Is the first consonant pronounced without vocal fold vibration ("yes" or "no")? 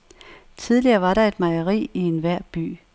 yes